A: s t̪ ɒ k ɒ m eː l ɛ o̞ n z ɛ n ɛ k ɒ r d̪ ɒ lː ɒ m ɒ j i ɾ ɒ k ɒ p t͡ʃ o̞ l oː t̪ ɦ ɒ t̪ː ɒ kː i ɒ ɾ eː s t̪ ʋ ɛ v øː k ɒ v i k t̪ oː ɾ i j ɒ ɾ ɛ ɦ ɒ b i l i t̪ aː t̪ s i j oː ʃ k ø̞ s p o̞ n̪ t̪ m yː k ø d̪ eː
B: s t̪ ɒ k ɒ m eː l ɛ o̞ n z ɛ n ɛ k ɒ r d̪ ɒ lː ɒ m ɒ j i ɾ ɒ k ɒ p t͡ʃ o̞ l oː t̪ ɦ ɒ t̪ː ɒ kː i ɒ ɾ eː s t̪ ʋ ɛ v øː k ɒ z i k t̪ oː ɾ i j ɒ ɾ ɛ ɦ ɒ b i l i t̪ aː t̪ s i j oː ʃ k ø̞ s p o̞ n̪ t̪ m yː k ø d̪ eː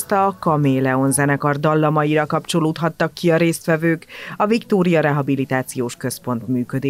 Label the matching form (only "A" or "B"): A